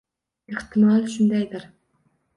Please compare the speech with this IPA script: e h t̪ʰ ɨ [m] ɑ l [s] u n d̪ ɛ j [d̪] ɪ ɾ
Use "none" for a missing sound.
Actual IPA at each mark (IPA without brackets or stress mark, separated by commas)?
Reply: m, ʃ, d̪